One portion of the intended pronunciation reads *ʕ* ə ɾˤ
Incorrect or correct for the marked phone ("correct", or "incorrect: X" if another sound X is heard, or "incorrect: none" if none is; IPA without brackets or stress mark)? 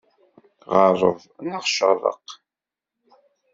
incorrect: ʁ